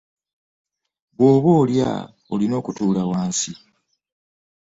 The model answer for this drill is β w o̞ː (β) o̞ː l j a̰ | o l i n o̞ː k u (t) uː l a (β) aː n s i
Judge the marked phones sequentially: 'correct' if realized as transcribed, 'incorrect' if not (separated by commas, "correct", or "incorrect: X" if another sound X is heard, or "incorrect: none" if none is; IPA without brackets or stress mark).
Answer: correct, correct, incorrect: w